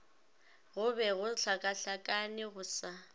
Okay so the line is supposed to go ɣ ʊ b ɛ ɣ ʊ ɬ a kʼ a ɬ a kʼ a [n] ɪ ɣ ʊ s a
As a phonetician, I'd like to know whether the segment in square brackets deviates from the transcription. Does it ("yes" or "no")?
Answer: no